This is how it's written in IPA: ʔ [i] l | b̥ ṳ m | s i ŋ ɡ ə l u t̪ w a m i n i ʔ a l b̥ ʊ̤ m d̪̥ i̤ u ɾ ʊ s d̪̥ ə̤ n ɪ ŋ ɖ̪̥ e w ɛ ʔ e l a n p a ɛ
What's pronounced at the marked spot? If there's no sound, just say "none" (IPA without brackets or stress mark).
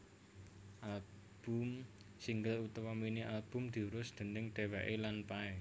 a